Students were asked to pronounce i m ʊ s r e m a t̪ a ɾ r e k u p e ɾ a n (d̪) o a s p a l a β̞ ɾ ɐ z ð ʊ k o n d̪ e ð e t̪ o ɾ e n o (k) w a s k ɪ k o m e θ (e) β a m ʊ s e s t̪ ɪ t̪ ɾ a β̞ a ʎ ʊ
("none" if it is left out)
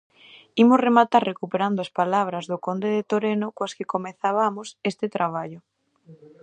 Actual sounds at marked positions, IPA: d̪, k, a

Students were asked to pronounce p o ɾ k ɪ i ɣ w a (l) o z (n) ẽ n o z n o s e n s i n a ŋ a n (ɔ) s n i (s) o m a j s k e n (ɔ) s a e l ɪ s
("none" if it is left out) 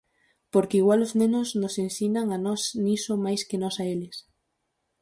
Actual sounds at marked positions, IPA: l, n, ɔ, s, ɔ

